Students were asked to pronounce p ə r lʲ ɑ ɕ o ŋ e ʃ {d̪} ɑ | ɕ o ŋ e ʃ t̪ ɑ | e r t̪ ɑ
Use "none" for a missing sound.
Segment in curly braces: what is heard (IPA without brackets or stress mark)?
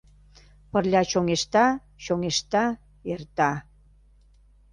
t̪